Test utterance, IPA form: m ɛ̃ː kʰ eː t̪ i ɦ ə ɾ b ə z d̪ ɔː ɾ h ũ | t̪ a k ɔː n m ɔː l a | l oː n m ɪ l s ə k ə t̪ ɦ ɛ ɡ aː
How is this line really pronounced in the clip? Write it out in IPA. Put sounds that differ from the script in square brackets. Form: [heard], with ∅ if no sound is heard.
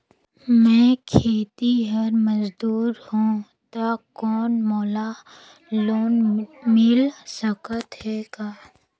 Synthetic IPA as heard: m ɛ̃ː kʰ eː t̪ i ɦ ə ɾ [m] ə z d̪ [uː] ɾ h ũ | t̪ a k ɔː n m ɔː l a | l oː n m ɪ l s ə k ə t̪ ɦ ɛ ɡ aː